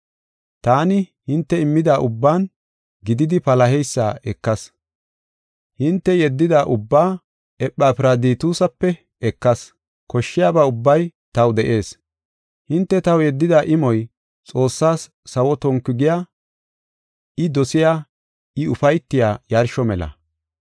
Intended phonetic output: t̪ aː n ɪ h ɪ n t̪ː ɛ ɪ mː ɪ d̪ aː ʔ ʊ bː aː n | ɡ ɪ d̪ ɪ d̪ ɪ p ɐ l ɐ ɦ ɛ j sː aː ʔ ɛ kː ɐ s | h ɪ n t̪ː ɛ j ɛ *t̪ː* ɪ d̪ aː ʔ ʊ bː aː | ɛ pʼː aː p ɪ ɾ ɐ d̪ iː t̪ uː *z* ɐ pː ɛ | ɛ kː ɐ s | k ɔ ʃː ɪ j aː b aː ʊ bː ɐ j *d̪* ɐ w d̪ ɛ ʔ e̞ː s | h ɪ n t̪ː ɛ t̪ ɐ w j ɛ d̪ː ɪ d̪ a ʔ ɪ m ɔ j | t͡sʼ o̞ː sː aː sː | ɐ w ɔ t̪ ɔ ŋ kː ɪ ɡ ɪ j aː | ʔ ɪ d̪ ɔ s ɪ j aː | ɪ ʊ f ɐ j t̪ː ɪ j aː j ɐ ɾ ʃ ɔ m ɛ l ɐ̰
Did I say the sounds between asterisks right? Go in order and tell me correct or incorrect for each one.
incorrect, incorrect, incorrect

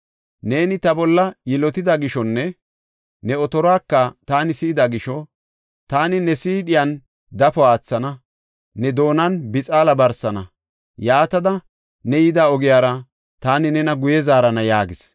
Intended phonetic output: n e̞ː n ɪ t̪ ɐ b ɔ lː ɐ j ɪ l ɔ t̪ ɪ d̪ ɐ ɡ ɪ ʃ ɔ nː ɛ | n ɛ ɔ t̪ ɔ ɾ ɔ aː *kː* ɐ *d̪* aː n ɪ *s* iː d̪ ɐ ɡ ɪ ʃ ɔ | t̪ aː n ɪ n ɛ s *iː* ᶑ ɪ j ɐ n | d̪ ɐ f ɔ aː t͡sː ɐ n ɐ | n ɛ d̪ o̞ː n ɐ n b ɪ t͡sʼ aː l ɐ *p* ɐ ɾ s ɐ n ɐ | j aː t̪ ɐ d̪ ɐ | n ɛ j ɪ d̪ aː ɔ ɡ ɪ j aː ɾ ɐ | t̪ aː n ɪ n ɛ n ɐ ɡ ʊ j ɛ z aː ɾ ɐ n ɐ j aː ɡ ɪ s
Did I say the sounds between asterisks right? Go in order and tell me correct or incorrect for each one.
correct, incorrect, correct, correct, incorrect

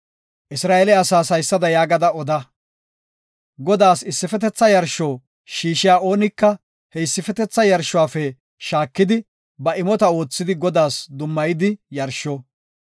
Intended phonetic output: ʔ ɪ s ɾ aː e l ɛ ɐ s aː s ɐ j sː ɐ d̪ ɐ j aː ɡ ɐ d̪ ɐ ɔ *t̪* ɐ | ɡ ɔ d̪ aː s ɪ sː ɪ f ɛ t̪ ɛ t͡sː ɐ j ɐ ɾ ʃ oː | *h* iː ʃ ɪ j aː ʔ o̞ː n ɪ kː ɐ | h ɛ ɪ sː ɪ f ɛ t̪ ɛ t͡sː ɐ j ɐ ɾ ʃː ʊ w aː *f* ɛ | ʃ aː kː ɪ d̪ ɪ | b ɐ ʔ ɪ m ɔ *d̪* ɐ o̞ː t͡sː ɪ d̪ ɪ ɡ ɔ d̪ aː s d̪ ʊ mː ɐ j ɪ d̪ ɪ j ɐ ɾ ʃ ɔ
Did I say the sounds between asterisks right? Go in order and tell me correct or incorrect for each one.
incorrect, incorrect, correct, incorrect

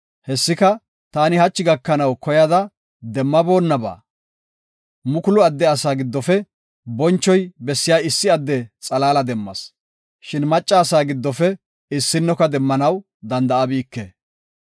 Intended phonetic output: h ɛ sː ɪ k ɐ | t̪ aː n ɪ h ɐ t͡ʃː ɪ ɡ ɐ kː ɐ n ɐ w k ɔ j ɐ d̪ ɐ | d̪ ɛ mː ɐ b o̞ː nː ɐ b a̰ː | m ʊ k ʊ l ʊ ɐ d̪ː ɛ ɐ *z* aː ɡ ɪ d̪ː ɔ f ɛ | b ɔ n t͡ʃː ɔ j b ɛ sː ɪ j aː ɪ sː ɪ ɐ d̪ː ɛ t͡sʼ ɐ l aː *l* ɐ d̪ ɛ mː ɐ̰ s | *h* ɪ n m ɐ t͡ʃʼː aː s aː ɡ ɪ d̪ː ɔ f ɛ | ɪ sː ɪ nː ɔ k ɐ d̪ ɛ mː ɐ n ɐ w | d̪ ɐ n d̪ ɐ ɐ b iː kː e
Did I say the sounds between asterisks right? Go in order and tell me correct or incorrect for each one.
incorrect, correct, incorrect

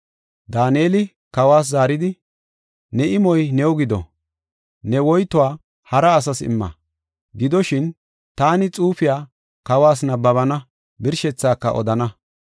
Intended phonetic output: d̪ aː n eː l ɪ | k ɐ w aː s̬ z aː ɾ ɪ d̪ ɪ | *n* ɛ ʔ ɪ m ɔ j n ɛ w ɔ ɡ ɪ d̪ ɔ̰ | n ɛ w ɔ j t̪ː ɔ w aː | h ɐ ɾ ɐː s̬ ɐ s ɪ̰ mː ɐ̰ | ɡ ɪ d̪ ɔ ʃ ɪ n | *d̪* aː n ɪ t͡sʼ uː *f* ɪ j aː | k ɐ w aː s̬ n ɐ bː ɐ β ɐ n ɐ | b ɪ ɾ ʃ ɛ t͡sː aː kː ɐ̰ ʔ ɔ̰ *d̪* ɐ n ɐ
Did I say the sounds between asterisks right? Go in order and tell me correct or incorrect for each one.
correct, incorrect, correct, correct

